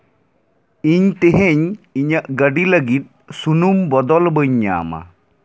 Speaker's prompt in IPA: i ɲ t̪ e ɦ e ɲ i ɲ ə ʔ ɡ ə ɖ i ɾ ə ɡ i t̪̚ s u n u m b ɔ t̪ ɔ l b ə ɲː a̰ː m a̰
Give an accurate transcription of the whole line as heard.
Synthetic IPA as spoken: i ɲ t̪ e ɦ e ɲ i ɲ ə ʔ ɡ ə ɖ i l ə ɡ i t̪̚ s u n u m b ɔ d̪ ɔ l b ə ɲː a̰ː m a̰